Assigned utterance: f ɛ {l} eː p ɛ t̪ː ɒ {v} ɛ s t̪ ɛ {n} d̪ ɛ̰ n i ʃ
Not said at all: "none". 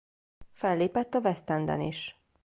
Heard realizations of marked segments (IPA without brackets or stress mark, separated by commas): lː, v, n